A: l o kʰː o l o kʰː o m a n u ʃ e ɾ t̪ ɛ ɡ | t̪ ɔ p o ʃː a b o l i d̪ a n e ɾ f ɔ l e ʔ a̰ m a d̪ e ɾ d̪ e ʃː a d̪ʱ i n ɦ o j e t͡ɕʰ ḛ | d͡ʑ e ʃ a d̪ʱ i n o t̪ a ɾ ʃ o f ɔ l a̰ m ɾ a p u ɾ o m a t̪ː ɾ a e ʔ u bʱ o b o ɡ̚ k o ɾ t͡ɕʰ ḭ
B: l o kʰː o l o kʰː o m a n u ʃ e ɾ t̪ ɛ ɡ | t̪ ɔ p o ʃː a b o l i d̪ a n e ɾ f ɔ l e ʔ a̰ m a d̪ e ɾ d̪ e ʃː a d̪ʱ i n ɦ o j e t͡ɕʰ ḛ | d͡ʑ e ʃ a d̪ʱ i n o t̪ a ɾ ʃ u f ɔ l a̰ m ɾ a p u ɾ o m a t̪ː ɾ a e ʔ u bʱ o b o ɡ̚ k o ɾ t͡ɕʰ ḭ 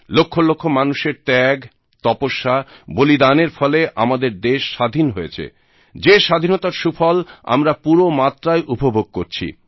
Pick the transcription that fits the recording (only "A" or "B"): B